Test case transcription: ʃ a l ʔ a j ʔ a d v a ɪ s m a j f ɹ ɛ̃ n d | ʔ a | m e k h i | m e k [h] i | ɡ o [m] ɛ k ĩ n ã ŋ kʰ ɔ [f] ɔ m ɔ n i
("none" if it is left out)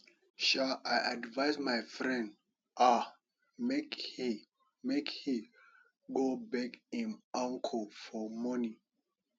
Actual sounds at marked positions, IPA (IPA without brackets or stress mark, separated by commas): h, b, f